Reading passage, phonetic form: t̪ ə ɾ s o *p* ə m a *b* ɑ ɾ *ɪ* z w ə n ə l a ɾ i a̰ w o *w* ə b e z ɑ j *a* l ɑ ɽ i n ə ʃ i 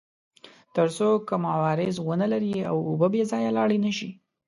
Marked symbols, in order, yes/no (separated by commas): no, no, yes, no, yes